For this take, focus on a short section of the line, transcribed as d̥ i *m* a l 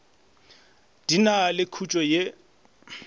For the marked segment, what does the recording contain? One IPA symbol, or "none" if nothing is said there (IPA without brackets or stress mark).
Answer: n